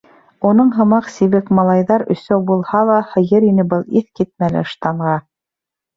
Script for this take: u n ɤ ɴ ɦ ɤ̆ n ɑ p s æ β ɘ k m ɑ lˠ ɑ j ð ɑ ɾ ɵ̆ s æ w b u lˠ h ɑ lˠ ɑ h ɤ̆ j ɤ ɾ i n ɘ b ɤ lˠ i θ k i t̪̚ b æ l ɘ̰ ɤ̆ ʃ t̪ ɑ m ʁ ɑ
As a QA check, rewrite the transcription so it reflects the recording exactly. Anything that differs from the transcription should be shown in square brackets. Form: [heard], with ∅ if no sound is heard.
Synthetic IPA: u n ɤ ɴ ɦ ɤ̆ [m] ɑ [q] s [i] β ɘ k m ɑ lˠ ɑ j ð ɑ ɾ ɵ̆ s æ w b u lˠ h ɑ lˠ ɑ h ɤ̆ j ɤ ɾ i n ɘ b ɤ lˠ i θ k i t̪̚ [m] æ l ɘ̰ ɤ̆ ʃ t̪ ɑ [ɴ] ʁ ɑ